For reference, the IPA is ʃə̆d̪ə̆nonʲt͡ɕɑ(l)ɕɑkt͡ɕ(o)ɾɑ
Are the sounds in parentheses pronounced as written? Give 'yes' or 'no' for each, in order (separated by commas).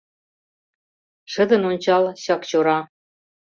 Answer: yes, yes